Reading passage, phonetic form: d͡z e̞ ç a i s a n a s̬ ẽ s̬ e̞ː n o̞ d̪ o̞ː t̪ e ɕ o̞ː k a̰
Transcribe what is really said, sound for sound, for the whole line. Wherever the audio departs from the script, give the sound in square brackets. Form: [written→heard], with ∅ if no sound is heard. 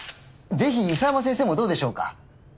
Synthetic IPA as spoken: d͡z e̞ ç [a→i] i s a [n→m] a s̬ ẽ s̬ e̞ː [n→m] o̞ d̪ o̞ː [t̪→d̪] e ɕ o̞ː k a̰